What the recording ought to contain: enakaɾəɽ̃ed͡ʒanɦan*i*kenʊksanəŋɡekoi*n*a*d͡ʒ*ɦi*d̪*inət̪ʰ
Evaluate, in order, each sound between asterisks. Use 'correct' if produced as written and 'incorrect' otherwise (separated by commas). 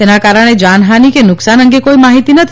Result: correct, incorrect, incorrect, incorrect